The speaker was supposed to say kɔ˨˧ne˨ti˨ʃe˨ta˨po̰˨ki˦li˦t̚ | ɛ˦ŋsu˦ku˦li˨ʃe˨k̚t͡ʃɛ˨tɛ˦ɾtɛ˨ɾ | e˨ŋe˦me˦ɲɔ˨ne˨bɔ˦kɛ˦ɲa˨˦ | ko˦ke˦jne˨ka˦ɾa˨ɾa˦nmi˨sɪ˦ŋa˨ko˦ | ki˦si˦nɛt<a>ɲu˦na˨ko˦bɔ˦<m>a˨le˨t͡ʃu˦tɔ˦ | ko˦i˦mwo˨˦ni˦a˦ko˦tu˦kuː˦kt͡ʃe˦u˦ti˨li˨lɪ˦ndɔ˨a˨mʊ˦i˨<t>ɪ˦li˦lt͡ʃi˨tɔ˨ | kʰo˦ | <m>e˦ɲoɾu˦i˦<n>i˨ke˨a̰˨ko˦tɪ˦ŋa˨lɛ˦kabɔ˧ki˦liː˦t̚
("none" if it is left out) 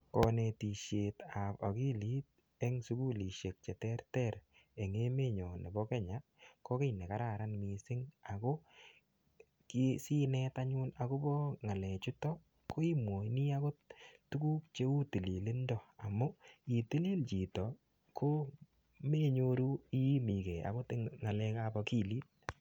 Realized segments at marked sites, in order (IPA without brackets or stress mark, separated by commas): a, ŋ, t, m, m